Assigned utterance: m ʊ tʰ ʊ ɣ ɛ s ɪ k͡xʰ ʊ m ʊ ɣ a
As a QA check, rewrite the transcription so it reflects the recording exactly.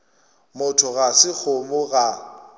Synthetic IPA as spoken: m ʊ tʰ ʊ ɣ a s ɪ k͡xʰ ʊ m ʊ ɣ a